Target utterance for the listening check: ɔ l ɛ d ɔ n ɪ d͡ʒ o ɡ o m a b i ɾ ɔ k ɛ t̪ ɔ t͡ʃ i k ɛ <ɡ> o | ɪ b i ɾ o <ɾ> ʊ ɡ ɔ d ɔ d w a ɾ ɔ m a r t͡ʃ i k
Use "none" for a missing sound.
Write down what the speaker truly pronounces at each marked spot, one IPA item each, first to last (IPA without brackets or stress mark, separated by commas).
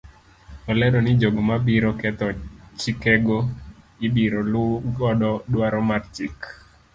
ɡ, l